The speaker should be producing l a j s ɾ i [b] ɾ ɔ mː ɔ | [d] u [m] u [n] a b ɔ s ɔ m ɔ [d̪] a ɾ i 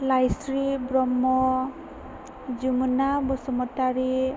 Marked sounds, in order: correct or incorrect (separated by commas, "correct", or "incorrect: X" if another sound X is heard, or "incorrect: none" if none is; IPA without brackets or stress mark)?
correct, incorrect: d͡ʒ, correct, correct, incorrect: t̪